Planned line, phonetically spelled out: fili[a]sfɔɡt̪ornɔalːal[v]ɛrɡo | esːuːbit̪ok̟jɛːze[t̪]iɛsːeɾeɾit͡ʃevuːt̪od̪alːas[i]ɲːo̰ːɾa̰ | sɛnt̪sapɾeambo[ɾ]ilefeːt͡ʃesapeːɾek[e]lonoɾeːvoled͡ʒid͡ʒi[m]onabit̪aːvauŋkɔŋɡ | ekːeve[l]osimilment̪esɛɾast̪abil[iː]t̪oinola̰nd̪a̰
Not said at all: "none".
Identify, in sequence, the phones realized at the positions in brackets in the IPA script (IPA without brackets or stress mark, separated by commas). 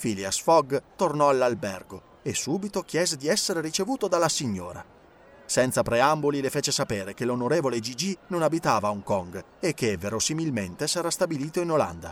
a, b, d̪, i, l, e, n, ɾ, iː